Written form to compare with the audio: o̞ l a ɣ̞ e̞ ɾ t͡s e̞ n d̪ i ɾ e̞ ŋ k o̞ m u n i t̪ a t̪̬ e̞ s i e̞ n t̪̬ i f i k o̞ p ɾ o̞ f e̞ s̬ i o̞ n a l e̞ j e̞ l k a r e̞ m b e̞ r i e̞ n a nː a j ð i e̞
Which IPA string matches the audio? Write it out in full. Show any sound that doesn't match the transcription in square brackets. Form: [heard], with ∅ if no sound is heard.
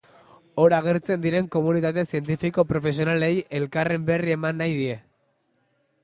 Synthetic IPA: o̞ [ɾ] a ɣ̞ e̞ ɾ t͡s e̞ n d̪ i ɾ e̞ ŋ k o̞ m u n i t̪ a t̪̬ e̞ s i e̞ n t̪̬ i f i k o̞ p ɾ o̞ f e̞ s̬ i o̞ n a l e̞ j e̞ l k a r e̞ m b e̞ r i e̞ [m] a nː a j ð i e̞